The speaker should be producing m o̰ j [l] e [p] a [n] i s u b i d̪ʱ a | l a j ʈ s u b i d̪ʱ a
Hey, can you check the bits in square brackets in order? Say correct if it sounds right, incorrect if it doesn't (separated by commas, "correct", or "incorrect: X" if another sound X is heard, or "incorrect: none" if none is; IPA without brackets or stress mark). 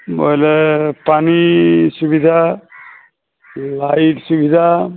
correct, correct, correct